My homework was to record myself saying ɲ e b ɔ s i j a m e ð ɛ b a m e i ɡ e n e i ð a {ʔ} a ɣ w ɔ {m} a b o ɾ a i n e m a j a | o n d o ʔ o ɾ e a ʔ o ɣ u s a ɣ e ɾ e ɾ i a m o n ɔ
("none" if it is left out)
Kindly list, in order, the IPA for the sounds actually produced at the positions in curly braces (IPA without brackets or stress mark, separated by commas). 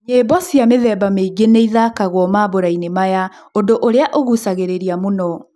k, m